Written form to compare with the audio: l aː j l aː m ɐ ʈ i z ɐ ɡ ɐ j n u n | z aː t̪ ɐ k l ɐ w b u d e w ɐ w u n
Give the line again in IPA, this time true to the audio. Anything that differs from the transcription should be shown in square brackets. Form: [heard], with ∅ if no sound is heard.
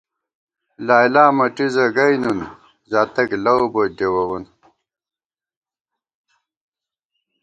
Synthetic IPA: l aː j l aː m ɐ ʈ i z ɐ ɡ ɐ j n u n | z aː t̪ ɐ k l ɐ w b [o] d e w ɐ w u n

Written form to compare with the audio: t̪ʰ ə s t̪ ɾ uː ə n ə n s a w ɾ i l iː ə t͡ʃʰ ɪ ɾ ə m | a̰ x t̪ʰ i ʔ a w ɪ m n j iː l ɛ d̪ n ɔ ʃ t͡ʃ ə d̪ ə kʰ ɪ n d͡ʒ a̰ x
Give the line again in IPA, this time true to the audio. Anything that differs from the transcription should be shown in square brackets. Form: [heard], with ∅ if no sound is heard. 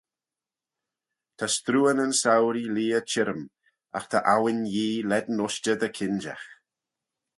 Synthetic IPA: t̪ʰ [a] s t̪ ɾ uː ə n ə n s a w ɾ i l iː ə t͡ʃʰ ɪ ɾ ə m | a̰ x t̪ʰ [a] ʔ a w ɪ [∅] n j iː l ɛ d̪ n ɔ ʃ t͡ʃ ə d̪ ə kʰ ɪ n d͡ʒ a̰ x

